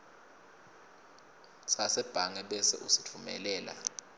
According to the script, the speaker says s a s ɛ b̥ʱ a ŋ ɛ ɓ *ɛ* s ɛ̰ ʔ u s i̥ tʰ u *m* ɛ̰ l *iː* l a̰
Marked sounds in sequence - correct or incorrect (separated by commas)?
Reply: correct, correct, incorrect